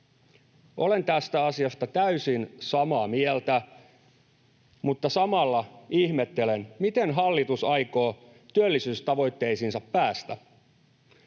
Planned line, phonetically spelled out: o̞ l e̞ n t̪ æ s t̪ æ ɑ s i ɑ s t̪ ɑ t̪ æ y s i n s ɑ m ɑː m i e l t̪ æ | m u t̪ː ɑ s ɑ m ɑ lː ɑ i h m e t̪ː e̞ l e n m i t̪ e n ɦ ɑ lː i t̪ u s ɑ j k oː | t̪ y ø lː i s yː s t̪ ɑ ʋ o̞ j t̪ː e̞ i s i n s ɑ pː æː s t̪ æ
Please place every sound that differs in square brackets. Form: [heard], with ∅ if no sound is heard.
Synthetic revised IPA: o̞ l e̞ n t̪ æ s t̪ æ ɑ s i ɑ s t̪ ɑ t̪ æ y s i n s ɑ m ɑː m i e l t̪ æ | m u t̪ː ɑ s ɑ m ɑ lː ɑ i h m e t̪ː e̞ l e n m i t̪ e n ɦ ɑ lː i t̪ u s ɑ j k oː | t̪ y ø lː i s yː s t̪ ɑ ʋ o̞ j t̪ː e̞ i s i n s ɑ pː æː s t̪ æ